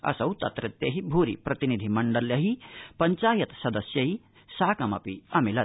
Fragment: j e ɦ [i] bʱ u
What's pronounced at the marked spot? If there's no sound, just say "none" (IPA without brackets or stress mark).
i